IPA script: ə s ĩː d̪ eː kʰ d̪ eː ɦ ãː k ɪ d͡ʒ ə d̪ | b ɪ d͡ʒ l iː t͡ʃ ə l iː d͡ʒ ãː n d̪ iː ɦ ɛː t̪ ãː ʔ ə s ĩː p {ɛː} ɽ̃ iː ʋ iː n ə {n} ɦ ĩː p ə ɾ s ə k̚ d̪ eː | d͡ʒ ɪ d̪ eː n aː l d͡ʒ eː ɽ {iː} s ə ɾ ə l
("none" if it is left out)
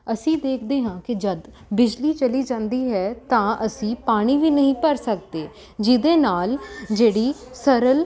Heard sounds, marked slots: aː, none, iː

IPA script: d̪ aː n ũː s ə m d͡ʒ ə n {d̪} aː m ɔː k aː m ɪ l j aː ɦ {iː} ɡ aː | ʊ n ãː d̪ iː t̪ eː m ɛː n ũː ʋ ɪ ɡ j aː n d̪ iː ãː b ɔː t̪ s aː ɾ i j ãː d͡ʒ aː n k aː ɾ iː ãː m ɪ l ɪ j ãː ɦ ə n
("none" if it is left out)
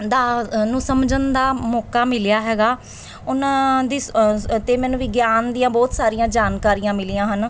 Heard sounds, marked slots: d̪, ɛː

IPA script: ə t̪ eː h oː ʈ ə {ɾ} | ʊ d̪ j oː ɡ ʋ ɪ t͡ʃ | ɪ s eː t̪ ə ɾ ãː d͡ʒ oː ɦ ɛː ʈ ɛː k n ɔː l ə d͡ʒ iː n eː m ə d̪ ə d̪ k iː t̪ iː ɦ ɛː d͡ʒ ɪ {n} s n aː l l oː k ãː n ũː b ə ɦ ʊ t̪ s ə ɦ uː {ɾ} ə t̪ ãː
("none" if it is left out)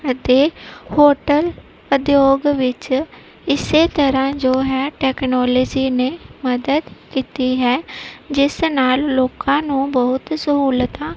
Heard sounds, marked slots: l, none, l

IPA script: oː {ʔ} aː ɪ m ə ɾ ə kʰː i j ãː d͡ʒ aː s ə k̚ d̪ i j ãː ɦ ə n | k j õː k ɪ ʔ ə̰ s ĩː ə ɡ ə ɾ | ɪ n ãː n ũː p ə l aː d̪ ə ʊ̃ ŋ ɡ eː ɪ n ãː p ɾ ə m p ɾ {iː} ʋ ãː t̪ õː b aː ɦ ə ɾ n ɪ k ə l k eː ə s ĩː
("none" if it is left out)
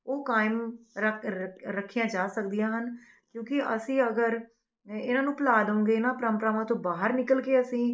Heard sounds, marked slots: k, aː

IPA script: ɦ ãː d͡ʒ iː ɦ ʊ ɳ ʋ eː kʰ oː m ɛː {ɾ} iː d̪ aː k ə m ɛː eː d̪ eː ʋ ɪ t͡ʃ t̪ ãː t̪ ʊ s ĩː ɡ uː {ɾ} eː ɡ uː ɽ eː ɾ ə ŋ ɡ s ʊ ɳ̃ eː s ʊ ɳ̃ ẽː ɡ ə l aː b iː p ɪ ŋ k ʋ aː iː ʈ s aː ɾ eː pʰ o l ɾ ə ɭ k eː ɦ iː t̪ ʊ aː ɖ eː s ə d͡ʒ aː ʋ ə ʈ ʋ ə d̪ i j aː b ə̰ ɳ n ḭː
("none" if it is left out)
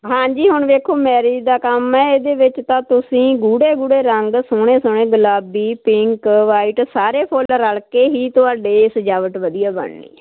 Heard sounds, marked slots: ɾ, ɽ

